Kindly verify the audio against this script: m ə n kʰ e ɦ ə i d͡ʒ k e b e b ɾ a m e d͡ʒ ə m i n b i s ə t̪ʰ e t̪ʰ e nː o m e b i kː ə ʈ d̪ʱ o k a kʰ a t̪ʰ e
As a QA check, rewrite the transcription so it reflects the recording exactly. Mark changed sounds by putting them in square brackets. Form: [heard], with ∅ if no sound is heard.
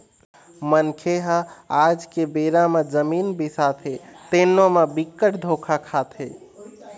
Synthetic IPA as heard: m ə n kʰ e ɦ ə [a] d͡ʒ k e b e [∅] ɾ a m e d͡ʒ ə m i n b i s [a] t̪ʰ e [t̪] e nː o m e b i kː ə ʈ d̪ʱ o [kʰ] a kʰ a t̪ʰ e